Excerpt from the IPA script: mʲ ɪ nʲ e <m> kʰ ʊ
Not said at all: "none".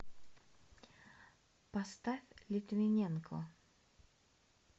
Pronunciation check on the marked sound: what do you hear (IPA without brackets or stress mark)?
n